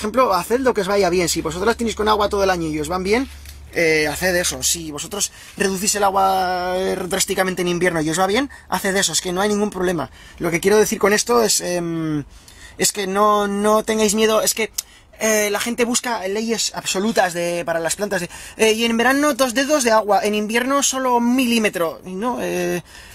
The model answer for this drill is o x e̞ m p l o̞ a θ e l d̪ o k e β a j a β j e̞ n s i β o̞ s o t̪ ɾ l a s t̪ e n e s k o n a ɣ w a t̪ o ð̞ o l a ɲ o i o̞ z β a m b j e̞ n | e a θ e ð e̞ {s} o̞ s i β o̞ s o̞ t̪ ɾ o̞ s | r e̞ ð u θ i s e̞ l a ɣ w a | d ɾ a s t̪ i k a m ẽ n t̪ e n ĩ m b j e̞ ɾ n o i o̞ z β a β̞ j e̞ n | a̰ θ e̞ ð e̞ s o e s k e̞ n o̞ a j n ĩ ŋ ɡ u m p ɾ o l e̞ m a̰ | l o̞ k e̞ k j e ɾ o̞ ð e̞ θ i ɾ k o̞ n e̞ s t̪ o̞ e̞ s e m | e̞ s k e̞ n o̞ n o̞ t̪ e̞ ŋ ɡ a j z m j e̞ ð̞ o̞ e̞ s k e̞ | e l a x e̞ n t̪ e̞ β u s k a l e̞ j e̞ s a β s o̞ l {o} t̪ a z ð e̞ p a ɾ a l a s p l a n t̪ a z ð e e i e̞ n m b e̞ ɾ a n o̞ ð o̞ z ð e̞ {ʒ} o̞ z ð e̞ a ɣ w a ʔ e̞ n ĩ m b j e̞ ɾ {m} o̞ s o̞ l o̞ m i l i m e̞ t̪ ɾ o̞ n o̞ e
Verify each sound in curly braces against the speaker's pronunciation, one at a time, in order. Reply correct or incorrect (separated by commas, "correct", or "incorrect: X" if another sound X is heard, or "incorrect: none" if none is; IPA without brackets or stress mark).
correct, incorrect: u, incorrect: ð, incorrect: n